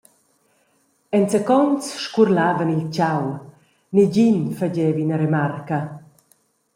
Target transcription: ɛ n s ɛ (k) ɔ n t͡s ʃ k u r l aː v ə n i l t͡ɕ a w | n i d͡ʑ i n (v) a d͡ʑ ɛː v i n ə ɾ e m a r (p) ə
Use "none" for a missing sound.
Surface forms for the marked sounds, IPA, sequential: k, f, k

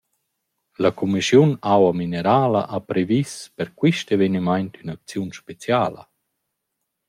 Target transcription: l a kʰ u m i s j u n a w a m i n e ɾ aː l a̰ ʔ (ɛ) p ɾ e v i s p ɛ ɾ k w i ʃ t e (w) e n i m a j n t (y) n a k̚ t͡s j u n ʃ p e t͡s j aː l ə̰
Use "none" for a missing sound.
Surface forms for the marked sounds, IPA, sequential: a, v, y

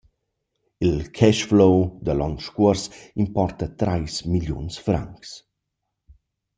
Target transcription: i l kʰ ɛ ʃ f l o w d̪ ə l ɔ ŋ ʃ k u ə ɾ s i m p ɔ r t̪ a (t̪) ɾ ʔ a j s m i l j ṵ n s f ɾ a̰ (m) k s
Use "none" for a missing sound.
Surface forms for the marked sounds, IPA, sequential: t̪, ŋ

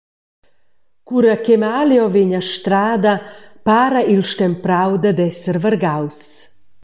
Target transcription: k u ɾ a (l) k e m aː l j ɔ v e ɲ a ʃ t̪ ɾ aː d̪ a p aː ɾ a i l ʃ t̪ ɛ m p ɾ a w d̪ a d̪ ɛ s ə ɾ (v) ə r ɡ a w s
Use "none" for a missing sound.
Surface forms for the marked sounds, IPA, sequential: none, v

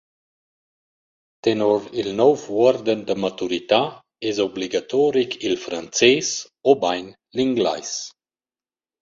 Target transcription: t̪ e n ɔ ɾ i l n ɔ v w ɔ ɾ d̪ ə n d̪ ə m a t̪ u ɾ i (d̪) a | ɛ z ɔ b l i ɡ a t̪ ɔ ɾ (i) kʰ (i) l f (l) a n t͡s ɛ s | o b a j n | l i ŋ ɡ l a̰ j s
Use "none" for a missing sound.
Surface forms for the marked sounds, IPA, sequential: t̪, i, i, ɾ

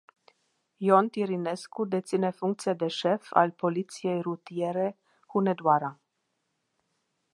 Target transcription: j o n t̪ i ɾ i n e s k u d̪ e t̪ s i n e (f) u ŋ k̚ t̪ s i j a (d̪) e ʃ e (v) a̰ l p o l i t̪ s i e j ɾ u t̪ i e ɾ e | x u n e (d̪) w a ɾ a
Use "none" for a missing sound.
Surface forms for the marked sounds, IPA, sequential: f, d̪, f, d̪

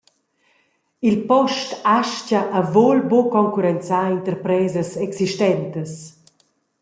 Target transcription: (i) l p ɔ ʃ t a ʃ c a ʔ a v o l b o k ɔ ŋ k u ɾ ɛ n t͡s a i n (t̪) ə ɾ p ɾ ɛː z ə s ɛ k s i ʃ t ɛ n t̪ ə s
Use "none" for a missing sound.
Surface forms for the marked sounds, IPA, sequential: i, t̪

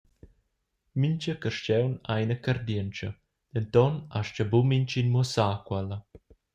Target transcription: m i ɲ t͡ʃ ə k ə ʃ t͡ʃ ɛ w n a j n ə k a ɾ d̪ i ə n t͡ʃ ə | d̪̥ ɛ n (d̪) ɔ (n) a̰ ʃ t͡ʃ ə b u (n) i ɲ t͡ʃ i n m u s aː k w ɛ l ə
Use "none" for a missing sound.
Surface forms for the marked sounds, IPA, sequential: t̪, n, m

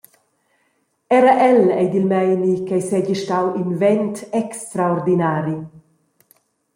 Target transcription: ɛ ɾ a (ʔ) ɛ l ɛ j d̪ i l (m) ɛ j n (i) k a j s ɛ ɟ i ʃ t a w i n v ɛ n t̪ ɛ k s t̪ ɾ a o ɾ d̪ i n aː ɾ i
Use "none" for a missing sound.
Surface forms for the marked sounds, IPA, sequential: ʔ, m, i

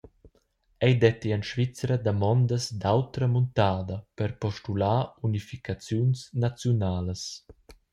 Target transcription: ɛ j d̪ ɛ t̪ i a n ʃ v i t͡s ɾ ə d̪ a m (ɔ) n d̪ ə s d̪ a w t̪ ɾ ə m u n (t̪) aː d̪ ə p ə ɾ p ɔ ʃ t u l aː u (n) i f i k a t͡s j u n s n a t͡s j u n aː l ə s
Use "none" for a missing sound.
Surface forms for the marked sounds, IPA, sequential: ɔ, t̪, n

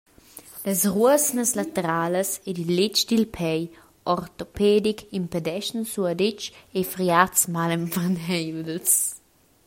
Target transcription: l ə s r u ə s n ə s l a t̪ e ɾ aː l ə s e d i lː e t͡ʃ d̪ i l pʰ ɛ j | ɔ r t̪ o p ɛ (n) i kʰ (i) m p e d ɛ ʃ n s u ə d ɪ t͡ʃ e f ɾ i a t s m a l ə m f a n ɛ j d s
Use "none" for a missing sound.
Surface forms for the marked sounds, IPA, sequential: d, i

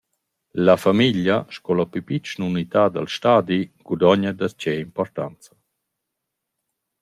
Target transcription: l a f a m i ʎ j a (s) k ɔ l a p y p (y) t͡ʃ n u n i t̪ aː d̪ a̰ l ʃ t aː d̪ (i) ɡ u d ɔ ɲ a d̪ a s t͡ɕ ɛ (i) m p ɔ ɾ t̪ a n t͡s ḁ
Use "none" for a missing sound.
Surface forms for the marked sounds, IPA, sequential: ʃ, i, i, i

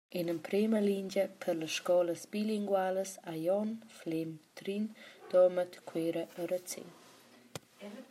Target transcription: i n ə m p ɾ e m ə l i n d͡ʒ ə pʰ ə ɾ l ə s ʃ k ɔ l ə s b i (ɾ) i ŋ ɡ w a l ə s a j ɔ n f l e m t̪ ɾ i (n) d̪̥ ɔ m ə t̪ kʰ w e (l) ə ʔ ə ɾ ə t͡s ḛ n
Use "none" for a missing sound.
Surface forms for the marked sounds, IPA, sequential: l, n, ɾ

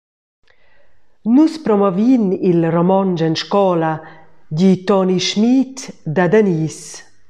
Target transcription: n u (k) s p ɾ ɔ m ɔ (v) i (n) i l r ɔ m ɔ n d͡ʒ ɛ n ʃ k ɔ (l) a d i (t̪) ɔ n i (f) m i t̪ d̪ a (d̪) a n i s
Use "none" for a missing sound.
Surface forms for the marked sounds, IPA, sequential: none, v, n, l, t̪, ʃ, d̪

